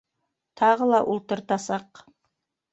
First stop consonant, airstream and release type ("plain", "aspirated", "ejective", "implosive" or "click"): aspirated